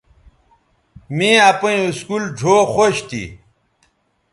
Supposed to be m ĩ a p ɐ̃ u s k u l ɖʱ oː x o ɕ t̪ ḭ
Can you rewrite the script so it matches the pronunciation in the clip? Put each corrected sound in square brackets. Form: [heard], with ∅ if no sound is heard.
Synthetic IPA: m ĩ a p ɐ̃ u s k u l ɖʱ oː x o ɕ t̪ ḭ